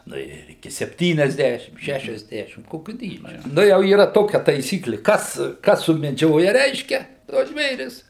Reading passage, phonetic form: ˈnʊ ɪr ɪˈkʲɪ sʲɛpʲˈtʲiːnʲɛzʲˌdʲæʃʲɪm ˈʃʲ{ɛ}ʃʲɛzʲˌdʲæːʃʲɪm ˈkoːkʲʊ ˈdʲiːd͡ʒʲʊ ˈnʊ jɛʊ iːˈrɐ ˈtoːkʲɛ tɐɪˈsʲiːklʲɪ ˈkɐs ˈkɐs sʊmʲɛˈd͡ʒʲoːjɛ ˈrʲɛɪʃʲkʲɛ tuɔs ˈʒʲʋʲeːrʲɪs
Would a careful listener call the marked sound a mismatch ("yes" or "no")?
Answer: yes